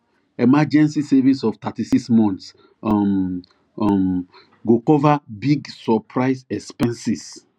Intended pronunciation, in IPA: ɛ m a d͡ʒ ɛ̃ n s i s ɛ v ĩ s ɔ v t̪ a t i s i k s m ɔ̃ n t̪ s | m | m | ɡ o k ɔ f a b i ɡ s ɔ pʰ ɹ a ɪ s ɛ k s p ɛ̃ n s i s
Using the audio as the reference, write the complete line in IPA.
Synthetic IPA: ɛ m a d͡ʒ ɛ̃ n s i s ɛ v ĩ s ɔ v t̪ a t i s i k s m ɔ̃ n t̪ s | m | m | ɡ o k ɔ v a b i ɡ s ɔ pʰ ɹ a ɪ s ɛ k s p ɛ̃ n s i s